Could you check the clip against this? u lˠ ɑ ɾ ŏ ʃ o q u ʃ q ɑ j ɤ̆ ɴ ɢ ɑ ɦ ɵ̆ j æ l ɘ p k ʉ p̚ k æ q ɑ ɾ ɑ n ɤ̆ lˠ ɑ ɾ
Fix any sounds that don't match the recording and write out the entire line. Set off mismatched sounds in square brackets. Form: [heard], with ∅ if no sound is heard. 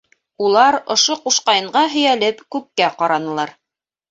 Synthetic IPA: u lˠ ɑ ɾ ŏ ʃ o q u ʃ q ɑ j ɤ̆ ɴ ɢ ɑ ɦ ɵ̆ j æ l ɘ p k ʉ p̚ k æ q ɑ ɾ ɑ n ɤ̆ lˠ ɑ ɾ